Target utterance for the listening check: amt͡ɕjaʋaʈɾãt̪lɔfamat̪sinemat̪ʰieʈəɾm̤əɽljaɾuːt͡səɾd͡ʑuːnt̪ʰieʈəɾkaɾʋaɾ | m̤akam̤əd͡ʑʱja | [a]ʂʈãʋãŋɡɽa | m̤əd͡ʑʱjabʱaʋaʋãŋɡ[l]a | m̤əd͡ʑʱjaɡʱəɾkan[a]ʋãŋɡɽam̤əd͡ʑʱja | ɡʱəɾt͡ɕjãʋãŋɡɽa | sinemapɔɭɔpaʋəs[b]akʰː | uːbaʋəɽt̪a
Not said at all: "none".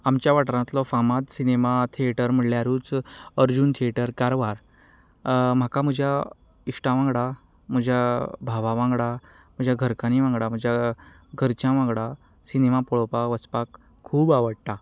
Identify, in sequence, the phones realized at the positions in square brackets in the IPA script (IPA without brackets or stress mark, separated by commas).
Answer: i, ɽ, i, p